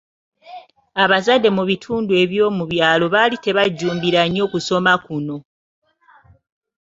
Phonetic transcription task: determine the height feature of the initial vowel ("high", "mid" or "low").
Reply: low